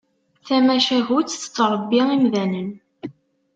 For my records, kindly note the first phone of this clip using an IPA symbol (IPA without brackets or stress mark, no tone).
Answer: θ